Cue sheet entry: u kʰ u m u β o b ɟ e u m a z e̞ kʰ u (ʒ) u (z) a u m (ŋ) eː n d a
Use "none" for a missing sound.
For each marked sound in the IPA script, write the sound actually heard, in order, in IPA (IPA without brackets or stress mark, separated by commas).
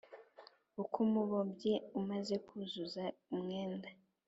z, z, ŋ